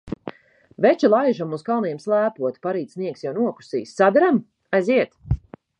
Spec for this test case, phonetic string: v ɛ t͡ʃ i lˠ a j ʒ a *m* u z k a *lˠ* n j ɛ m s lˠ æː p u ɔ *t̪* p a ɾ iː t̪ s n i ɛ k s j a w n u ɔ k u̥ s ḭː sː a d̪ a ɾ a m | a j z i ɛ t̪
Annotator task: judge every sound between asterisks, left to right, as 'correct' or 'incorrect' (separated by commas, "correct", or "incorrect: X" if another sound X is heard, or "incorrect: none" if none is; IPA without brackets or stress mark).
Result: correct, correct, correct